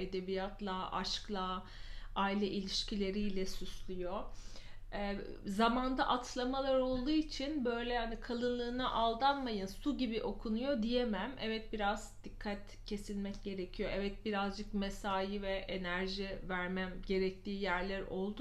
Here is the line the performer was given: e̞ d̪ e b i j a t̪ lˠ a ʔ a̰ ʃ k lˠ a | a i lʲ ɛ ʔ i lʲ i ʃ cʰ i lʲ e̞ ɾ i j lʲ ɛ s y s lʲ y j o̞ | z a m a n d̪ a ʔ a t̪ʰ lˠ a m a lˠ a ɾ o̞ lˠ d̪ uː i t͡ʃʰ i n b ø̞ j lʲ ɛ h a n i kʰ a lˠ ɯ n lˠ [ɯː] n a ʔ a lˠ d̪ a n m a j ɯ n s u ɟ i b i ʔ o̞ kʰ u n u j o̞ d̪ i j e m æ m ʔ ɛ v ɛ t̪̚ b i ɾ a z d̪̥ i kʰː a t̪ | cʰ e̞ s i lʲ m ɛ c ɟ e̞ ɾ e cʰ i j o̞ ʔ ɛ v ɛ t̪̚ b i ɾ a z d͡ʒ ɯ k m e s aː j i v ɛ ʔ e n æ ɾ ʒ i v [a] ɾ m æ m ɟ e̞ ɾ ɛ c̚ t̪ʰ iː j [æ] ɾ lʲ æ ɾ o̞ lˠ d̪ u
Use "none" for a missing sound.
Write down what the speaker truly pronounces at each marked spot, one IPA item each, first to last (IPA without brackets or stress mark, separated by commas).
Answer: ɯː, æ, æ